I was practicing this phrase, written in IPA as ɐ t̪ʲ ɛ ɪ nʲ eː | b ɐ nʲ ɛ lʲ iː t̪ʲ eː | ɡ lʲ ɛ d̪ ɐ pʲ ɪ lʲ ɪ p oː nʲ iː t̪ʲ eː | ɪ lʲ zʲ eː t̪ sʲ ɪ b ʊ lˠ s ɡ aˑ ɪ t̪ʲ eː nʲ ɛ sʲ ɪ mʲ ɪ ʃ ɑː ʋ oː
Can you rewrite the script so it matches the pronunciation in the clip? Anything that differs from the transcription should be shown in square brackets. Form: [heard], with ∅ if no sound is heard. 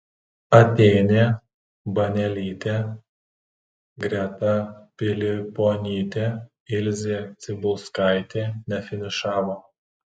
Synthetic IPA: ɐ t̪ʲ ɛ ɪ nʲ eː | b ɐ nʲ ɛ lʲ iː t̪ʲ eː | ɡ [ɾʲ] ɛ [t̪] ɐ pʲ ɪ lʲ ɪ p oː nʲ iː t̪ʲ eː | ɪ lʲ zʲ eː t̪ sʲ ɪ b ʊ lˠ s [k] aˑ ɪ t̪ʲ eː nʲ ɛ [fʲ] ɪ [nʲ] ɪ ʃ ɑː ʋ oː